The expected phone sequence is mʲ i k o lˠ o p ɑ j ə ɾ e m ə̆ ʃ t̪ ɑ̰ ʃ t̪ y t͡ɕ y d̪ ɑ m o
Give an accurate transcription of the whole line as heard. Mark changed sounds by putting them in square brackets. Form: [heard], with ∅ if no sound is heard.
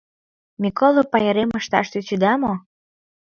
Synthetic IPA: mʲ i k o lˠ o p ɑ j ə ɾ e m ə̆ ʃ t̪ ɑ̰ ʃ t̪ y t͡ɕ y d̪ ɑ m o